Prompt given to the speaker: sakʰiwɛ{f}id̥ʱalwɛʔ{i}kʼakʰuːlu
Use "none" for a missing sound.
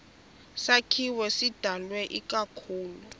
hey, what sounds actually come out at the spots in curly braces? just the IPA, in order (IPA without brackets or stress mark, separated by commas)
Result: s, i